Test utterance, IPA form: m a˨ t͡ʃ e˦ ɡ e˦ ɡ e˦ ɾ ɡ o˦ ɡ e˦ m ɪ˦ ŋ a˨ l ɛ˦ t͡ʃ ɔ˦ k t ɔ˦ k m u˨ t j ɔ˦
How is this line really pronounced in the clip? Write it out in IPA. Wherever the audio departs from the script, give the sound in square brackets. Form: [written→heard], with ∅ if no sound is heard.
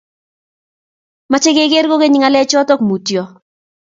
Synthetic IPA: m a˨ t͡ʃ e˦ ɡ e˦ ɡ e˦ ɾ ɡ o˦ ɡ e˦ [m→ɲ] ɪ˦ ŋ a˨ l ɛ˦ t͡ʃ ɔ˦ [k→∅] t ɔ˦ k m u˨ t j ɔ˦